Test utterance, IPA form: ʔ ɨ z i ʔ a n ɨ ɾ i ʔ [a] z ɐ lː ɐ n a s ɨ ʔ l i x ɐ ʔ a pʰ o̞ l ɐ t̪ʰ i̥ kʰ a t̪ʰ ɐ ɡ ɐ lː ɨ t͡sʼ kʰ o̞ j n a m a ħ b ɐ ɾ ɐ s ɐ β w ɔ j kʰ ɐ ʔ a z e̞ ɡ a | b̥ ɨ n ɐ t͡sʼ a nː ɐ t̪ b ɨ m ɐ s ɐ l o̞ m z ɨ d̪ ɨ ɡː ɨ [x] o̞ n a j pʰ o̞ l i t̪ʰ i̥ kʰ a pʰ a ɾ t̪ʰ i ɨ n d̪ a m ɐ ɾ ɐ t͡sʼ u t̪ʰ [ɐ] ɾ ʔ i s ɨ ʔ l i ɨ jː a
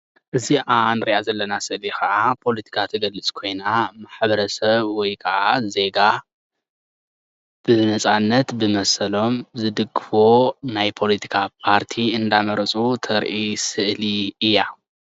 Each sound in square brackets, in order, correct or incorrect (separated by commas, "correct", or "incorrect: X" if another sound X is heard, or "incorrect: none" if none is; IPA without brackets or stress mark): correct, incorrect: f, correct